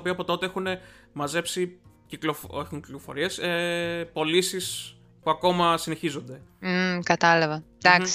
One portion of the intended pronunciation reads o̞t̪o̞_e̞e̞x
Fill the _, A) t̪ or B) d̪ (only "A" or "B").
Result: A